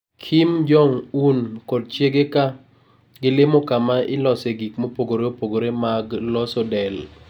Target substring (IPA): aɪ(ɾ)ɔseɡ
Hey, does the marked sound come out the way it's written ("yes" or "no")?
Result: no